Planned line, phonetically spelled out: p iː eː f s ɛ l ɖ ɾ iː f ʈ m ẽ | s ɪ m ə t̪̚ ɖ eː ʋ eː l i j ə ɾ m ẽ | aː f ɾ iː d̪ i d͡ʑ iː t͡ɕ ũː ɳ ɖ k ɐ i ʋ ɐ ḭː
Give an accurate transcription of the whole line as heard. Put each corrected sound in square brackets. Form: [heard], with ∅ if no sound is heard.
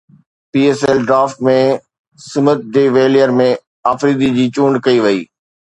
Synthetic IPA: p iː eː [∅] s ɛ l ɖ ɾ [aː] f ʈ m ẽ | s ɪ m ə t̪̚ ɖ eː ʋ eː l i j ə ɾ m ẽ | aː f ɾ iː d̪ i d͡ʑ iː t͡ɕ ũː ɳ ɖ k ɐ i ʋ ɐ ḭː